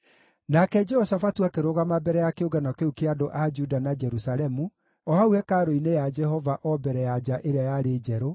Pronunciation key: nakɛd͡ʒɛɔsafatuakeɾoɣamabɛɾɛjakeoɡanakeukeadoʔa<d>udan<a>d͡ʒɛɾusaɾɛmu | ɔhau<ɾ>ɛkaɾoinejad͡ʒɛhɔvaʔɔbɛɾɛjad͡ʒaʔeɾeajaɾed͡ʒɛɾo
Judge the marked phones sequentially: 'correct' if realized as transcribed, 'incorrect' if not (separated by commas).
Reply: incorrect, correct, incorrect